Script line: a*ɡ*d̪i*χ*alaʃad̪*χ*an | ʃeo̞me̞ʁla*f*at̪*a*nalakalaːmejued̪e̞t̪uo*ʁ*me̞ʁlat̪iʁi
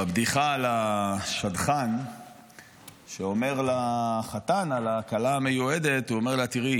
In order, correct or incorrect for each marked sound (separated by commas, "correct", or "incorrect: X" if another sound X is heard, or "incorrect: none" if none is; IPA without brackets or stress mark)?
incorrect: b, correct, correct, incorrect: χ, correct, incorrect: none